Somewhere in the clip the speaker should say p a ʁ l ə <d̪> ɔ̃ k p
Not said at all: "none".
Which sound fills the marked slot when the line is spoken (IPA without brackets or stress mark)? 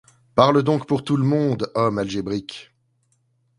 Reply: d̪